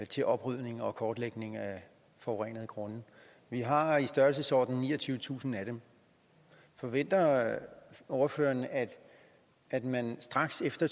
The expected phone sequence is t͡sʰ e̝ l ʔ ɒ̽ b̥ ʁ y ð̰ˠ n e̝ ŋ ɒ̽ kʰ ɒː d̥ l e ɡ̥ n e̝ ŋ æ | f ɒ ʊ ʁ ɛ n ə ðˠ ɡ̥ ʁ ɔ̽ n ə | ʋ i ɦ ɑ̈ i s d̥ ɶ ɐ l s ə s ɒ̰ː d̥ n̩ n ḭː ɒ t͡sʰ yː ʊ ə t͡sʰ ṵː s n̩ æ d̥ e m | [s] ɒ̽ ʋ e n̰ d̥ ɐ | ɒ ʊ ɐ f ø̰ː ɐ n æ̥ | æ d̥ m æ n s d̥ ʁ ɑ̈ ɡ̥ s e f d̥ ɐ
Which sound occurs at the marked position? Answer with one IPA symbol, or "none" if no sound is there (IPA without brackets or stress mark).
f